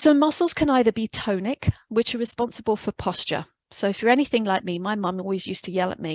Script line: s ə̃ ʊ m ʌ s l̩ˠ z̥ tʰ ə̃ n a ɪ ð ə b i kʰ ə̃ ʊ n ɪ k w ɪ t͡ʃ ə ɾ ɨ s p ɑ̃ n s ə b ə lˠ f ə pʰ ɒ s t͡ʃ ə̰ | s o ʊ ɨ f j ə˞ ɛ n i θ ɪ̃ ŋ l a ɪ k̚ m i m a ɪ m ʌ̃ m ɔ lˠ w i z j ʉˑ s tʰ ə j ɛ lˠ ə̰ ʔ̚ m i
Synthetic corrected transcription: s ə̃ ʊ m ʌ s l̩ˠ z̥ kʰ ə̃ n a ɪ ð ə b i tʰ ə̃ ʊ n ɪ k w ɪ t͡ʃ ə ɹ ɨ s p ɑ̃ n s ə b ə lˠ f ə pʰ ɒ s t͡ʃ ə̰ | s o ʊ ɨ f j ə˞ ɛ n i θ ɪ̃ ŋ l a ɪ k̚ m i m a ɪ m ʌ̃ m ɔ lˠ w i z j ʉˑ s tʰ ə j ɛ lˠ ə̰ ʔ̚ m i